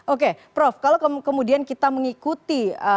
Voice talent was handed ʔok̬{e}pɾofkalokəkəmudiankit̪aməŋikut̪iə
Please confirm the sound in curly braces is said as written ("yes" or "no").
yes